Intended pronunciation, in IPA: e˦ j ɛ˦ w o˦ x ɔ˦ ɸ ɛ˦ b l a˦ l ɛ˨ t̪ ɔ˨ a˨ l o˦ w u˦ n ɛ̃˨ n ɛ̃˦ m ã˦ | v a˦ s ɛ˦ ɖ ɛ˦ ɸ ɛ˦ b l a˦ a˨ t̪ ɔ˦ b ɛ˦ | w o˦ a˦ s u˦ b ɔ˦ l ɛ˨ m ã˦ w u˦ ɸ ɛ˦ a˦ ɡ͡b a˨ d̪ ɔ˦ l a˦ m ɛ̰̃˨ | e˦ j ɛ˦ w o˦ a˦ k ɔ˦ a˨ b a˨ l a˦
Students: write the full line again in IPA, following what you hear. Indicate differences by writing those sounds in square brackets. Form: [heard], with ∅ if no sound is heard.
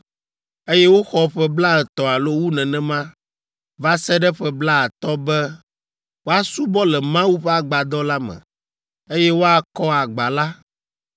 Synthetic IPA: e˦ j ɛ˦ w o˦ x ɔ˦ ɸ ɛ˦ b l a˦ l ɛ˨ t̪ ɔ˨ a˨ l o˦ w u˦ n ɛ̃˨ n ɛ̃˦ m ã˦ | v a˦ s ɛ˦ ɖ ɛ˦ ɸ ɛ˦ b l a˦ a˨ t̪ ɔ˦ b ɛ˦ | w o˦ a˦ s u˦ b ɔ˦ l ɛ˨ m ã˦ w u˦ ɸ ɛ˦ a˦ ɡ͡b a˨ d̪ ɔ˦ l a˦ m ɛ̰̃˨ | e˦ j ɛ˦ w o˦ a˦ k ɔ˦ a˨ [ɡ͡b] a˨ l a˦

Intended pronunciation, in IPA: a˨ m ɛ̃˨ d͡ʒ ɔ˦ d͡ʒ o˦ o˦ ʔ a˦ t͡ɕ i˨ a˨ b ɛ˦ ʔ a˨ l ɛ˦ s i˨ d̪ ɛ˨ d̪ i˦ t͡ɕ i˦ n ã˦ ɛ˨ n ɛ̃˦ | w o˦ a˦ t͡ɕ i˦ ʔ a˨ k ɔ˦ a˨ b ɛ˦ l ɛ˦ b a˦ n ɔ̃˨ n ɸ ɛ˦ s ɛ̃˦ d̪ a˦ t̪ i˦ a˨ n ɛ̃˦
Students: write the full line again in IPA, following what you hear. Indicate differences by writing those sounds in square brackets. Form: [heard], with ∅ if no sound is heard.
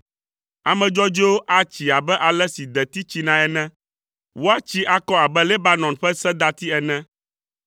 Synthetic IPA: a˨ m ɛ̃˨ d͡ʒ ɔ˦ d͡ʒ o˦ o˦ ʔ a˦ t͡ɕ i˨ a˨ b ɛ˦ ʔ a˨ l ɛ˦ s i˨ d̪ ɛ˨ [t̪] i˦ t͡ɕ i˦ n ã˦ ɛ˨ n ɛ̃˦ | w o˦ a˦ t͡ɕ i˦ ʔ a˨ k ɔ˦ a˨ b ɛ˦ l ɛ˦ b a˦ n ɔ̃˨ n ɸ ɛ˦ s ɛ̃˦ d̪ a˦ t̪ i˦ [ɛ˨] n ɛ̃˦

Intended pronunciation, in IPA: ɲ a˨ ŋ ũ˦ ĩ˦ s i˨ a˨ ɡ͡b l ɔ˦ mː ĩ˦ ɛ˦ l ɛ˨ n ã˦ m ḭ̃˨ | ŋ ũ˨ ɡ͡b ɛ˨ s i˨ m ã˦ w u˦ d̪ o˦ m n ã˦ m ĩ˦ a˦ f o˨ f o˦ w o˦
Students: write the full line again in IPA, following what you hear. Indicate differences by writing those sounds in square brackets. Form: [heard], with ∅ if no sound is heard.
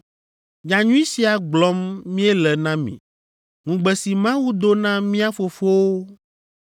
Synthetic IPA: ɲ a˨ [ɲ] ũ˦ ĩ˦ s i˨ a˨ ɡ͡b l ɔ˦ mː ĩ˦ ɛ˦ l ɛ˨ n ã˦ m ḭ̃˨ | ŋ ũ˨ ɡ͡b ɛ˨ s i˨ m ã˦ w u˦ d̪ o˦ [∅] n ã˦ m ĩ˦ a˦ f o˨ f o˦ w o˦

